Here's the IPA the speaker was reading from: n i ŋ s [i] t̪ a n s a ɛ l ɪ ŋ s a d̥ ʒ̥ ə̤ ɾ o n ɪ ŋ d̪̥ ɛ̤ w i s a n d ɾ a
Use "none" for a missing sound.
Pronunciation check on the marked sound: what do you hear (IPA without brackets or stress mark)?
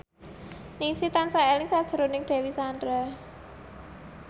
i